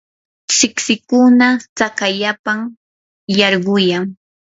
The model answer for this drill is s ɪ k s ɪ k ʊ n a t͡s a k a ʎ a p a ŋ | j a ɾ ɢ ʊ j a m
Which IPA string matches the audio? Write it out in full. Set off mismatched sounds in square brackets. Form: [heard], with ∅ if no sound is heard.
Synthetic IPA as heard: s ɪ k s ɪ k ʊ n a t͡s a k a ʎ a p a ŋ | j [ɑ] ɾ ɢ ʊ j a [ŋ]